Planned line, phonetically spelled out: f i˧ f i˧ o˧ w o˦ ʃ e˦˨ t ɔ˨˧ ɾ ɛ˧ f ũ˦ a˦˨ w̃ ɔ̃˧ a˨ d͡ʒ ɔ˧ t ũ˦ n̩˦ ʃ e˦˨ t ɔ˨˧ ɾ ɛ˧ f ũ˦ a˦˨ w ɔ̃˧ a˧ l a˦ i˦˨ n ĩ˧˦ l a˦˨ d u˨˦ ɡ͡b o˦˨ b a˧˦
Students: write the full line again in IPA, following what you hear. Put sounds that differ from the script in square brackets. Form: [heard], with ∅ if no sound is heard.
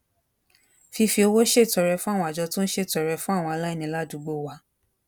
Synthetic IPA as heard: f i˧ f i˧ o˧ w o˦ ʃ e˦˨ t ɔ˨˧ ɾ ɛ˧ f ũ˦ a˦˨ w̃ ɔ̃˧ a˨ d͡ʒ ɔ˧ t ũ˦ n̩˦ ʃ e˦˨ t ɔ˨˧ ɾ ɛ˧ f ũ˦ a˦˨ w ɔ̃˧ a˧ l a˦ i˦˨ n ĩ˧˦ l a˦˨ d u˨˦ ɡ͡b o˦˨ [w] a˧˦